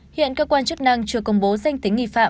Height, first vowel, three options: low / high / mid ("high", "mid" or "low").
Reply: high